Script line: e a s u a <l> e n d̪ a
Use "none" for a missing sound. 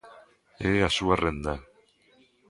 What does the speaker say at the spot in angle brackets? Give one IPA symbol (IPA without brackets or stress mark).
r